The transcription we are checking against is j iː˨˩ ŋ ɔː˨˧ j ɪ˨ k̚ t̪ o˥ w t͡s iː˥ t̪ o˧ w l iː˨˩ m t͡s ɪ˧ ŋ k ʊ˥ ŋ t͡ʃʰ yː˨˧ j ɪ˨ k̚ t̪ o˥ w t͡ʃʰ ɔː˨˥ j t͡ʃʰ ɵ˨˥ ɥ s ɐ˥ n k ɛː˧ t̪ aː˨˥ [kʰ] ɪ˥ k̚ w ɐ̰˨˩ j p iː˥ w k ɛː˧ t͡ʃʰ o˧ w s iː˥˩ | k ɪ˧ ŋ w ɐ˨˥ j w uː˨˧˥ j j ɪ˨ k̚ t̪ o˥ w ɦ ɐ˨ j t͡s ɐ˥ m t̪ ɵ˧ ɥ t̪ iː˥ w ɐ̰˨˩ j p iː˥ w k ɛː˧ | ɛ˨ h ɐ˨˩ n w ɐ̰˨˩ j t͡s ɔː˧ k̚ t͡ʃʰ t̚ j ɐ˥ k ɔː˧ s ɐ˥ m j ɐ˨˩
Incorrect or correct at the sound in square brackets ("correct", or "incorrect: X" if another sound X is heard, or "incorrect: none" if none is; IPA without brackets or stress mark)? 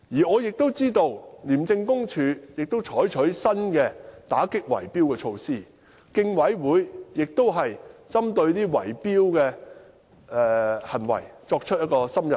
incorrect: k